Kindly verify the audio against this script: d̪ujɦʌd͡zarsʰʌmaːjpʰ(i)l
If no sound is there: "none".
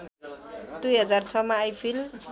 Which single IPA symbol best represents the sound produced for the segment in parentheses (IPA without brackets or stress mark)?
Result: i